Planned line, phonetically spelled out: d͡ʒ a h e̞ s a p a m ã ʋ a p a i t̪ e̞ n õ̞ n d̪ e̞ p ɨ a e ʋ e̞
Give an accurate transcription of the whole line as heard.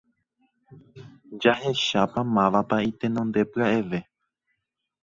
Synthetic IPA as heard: d͡ʒ a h e̞ ʃ a p a m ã ʋ a p a i t̪ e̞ n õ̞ n d̪ e̞ p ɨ a e ʋ e̞